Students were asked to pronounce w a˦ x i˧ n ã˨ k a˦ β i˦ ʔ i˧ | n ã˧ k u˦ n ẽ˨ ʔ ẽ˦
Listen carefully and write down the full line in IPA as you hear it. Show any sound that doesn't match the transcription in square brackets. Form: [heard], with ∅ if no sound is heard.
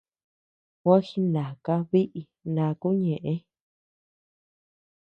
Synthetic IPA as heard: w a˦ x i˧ n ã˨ k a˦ β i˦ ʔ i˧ | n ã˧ k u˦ [ɲ] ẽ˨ ʔ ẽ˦